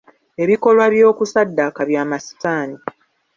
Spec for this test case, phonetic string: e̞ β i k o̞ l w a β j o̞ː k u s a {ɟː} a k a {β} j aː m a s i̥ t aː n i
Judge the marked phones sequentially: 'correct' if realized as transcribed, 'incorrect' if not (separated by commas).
incorrect, correct